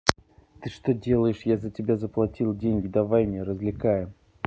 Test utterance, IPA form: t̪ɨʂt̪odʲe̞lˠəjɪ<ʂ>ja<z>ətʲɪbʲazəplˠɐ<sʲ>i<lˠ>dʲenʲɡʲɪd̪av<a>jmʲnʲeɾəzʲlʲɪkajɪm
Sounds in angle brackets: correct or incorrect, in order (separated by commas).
correct, correct, incorrect, correct, correct